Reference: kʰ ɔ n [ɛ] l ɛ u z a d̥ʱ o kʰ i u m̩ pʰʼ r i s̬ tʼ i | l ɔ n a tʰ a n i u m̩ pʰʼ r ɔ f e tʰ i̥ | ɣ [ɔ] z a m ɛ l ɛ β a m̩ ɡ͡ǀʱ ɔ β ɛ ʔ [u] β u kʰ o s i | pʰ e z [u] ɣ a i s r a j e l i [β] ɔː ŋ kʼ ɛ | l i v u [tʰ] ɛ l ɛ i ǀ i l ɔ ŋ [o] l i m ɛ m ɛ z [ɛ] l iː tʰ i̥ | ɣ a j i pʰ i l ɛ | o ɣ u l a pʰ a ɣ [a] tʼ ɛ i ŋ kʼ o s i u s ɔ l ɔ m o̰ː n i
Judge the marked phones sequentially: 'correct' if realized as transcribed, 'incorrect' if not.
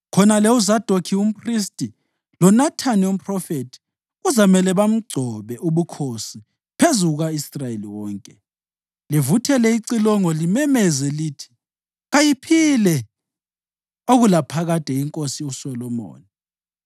incorrect: a, incorrect: u, correct, correct, incorrect: w, correct, incorrect: ɔ, correct, correct

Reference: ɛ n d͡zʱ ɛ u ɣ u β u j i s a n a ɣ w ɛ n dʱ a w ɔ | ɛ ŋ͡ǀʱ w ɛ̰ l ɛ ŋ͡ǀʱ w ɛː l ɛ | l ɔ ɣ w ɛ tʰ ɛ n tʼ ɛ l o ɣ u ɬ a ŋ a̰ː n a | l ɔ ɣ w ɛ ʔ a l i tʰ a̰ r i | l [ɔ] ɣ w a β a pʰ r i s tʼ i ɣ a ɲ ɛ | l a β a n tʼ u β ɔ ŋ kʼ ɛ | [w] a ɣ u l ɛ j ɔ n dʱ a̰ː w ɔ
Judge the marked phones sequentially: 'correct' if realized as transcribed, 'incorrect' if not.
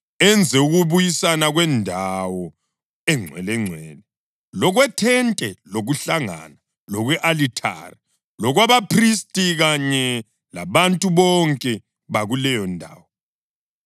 correct, incorrect: β

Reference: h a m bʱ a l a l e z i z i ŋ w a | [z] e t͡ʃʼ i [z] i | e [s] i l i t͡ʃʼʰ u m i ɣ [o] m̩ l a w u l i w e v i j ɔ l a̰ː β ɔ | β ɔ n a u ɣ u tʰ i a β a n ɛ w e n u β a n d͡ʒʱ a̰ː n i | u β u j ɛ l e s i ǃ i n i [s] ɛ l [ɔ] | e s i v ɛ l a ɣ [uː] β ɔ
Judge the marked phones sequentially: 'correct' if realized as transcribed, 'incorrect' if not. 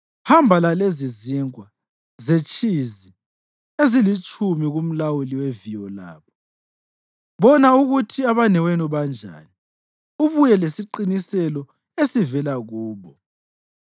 correct, correct, incorrect: z, incorrect: u, correct, correct, correct

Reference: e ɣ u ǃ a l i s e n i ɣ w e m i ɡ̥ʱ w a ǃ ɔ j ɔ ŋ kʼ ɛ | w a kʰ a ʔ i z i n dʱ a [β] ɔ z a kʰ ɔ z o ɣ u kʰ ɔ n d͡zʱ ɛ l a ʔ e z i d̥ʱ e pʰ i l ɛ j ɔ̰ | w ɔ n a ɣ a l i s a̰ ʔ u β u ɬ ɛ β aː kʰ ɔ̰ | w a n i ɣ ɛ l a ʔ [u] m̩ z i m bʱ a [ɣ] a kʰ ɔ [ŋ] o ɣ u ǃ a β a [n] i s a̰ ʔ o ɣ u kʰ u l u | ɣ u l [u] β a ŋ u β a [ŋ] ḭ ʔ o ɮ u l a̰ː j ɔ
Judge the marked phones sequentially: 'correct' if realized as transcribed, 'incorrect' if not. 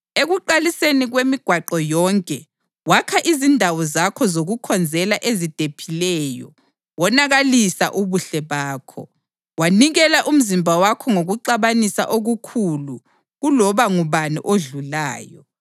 incorrect: w, correct, incorrect: w, correct, correct, incorrect: ɔ, incorrect: n

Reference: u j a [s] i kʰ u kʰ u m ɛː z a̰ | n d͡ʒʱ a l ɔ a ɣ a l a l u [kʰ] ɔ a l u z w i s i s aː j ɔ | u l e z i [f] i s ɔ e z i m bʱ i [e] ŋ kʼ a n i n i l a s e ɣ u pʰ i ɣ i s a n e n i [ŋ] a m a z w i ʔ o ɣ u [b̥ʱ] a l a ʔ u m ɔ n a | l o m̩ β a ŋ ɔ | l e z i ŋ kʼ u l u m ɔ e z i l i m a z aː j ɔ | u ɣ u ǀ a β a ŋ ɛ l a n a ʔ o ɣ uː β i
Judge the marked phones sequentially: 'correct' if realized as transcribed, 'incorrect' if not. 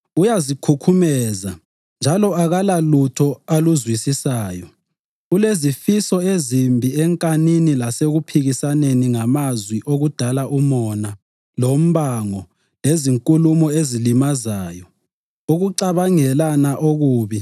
incorrect: z, incorrect: tʰ, correct, incorrect: ɛ, correct, incorrect: d̥ʱ

